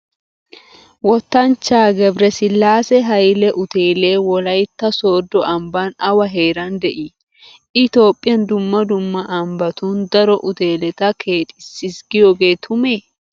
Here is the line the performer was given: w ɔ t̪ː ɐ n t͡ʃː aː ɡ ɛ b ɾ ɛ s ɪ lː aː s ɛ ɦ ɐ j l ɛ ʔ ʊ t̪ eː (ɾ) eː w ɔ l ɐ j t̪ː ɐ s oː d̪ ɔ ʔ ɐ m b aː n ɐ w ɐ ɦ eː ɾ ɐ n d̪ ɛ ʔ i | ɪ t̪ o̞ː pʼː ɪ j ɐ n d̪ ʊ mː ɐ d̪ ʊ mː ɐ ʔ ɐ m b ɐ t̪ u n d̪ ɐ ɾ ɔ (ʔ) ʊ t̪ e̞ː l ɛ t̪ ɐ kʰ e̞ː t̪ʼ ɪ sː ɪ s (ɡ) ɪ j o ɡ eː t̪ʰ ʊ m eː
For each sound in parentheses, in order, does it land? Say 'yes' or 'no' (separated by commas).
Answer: no, yes, yes